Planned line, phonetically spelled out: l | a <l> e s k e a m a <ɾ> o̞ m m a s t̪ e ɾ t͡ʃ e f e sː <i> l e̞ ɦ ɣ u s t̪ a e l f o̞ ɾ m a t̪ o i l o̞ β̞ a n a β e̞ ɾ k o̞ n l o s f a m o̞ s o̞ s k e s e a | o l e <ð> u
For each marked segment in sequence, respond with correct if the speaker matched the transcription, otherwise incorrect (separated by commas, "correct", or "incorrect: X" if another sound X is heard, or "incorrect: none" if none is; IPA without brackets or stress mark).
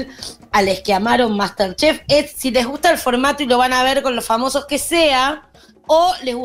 correct, correct, correct, incorrect: ɣ